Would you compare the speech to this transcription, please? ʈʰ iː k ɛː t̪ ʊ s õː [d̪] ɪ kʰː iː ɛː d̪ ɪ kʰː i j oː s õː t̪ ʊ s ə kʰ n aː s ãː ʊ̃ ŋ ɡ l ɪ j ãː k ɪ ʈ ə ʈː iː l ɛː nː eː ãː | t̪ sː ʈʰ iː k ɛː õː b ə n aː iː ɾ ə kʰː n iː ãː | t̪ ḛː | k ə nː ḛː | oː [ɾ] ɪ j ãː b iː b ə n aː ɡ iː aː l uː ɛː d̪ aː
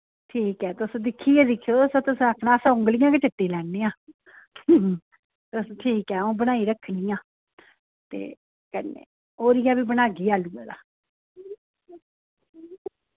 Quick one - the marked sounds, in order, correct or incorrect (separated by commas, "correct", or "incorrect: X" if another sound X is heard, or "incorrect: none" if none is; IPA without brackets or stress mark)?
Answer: correct, correct